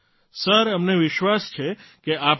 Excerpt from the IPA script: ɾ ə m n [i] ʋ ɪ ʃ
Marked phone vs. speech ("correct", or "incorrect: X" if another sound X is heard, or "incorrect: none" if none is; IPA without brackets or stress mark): incorrect: e